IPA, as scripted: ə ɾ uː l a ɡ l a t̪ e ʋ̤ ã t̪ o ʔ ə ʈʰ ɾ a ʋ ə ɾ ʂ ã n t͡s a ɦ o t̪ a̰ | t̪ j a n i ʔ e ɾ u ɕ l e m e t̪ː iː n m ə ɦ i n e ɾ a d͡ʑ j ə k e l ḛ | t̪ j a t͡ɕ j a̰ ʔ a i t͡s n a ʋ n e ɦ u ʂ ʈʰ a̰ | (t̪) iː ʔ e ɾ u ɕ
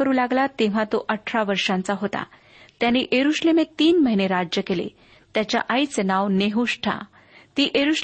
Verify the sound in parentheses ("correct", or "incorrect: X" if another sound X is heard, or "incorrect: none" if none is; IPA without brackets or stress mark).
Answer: correct